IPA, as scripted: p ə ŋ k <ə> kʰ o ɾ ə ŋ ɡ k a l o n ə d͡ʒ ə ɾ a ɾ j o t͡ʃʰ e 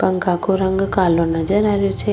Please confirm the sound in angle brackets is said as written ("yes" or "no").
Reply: no